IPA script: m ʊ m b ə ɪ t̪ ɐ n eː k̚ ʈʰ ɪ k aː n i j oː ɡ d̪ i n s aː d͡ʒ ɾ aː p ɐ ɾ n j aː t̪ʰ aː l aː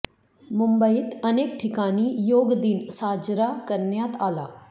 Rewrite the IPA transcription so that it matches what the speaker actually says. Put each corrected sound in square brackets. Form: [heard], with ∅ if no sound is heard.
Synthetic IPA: m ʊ m b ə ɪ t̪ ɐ n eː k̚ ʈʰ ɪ k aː n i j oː ɡ d̪ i n s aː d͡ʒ ɾ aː [k] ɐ ɾ n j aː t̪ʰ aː l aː